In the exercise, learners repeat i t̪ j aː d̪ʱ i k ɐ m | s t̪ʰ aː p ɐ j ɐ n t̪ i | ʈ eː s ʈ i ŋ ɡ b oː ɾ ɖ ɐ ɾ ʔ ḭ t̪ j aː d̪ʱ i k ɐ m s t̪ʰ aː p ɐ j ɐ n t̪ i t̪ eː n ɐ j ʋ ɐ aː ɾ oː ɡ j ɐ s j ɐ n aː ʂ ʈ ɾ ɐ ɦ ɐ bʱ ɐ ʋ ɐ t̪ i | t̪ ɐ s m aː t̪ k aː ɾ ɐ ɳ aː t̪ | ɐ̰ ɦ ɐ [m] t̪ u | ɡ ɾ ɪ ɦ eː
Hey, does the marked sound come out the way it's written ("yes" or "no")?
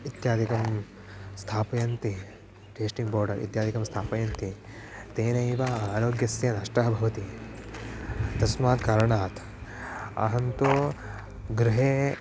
no